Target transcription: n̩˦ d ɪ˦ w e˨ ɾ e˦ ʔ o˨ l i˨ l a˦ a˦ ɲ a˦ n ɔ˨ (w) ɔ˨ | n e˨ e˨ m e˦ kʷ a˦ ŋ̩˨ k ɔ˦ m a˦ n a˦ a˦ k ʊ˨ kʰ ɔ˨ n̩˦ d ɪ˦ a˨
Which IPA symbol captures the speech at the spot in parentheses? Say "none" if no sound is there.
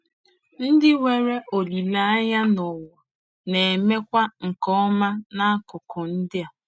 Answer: w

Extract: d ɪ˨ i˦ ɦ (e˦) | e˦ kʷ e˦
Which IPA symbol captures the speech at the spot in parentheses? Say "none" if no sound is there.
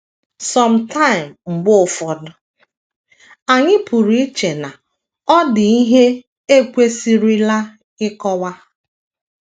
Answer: e˦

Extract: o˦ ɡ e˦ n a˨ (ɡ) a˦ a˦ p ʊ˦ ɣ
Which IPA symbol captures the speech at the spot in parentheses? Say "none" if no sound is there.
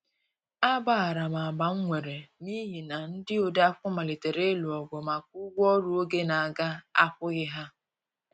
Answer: ɡ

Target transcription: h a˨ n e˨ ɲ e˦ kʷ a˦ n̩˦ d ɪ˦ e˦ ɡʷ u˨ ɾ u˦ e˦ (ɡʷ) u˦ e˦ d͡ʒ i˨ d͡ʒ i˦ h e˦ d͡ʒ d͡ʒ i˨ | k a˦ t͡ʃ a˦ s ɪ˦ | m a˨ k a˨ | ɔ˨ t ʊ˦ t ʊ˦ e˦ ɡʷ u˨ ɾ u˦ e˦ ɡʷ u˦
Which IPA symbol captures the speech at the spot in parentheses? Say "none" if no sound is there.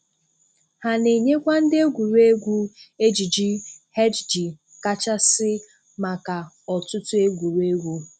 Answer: ɡʷ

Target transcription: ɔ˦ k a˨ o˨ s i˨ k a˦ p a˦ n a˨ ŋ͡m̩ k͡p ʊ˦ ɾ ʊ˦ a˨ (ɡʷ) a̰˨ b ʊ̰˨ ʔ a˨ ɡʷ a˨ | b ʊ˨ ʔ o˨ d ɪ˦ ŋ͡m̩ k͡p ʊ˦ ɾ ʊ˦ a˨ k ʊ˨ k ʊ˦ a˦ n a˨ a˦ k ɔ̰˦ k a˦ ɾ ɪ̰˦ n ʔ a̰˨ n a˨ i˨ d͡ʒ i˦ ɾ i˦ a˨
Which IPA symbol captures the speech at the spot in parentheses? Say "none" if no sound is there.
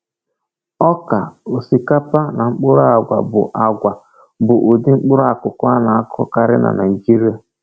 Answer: ɡʷ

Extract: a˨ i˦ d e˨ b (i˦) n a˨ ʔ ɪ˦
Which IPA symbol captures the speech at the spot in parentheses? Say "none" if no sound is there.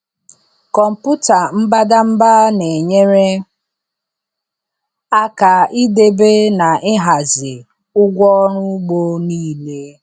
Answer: e˦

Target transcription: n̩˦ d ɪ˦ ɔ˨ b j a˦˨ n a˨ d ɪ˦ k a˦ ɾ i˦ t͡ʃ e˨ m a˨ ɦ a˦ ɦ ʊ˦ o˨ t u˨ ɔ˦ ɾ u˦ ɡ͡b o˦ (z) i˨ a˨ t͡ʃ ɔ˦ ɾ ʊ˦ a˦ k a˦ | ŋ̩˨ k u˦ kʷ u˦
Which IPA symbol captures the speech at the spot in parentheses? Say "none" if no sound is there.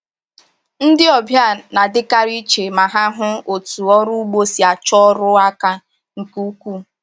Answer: s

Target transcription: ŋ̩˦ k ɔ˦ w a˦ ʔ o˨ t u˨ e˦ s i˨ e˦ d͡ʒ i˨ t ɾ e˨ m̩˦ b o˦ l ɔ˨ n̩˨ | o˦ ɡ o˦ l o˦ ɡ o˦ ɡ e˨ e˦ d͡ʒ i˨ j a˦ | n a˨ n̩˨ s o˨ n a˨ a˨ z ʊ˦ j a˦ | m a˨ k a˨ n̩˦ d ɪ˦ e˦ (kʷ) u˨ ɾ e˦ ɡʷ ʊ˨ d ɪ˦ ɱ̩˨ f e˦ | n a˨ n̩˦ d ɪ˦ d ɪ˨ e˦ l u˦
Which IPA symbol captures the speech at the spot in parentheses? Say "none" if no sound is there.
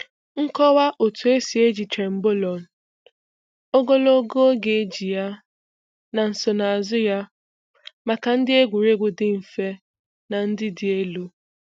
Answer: ɡʷ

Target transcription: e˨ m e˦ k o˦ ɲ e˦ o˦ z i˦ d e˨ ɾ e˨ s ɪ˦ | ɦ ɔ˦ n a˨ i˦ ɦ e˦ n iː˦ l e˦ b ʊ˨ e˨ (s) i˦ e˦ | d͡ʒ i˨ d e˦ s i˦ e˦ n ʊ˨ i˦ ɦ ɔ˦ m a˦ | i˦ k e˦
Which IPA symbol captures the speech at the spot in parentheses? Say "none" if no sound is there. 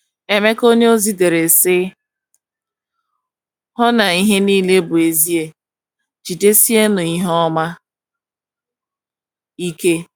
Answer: z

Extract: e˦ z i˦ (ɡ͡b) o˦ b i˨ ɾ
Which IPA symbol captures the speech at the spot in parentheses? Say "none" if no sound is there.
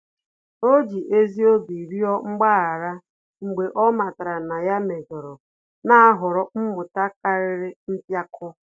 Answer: none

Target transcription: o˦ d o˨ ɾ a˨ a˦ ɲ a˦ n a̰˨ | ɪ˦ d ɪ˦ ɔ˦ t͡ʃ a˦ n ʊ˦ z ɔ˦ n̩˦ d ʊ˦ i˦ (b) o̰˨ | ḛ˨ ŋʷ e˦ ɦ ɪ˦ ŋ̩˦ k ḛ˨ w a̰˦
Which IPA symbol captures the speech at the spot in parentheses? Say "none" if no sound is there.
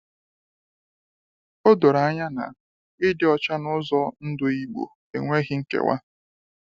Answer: ɡ͡b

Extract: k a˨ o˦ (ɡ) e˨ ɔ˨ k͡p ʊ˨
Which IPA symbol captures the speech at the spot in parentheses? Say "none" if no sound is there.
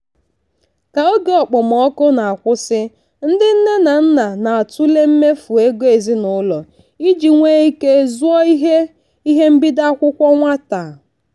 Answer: ɡ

